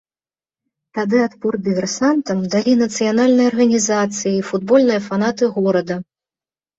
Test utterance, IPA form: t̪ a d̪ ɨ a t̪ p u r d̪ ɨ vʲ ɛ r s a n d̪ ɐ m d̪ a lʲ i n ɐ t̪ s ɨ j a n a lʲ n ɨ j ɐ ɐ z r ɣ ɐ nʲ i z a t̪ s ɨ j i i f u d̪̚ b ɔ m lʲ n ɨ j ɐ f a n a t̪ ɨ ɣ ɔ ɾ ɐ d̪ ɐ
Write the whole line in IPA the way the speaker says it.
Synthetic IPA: t̪ a d̪ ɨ a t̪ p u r d̪ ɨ vʲ ɛ r s a n t̪ ɐ m d̪ a lʲ i n ɐ t̪ s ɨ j a n a lʲ n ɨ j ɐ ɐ r ɣ ɐ nʲ i z a t̪ s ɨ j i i f u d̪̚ b ɔ lʲ n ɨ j ɐ f a n a t̪ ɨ ɣ ɔ ɾ ɐ d̪ ɐ